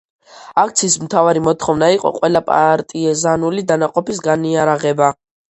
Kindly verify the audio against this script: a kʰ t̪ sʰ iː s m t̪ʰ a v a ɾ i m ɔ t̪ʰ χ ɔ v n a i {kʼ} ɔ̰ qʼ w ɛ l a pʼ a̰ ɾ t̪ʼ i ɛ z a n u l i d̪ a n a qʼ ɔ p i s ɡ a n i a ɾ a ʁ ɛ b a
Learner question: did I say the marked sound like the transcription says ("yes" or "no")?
no